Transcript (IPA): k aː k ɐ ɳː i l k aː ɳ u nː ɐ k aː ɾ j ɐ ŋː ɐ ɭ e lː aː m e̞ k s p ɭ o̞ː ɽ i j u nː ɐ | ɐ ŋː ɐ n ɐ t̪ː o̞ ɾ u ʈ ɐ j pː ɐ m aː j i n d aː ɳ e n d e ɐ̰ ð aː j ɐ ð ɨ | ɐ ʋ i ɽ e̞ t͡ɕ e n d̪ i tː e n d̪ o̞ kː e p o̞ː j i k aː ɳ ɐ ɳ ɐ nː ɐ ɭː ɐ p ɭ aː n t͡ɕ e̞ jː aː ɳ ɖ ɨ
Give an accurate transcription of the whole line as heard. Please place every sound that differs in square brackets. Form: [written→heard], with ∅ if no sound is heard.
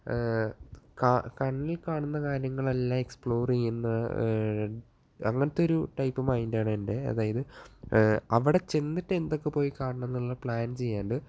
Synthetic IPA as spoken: k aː k ɐ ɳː i l k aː ɳ u nː ɐ k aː ɾ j ɐ ŋː ɐ ɭ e lː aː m e̞ k s p ɭ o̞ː [ɽ→r] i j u nː ɐ | ɐ ŋː ɐ n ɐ t̪ː o̞ ɾ u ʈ ɐ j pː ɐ m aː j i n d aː ɳ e n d e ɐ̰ ð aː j ɐ ð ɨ | ɐ ʋ i ɽ e̞ t͡ɕ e n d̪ i tː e n d̪ o̞ kː e p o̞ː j i k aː ɳ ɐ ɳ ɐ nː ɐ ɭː ɐ p ɭ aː n t͡ɕ e̞ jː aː ɳ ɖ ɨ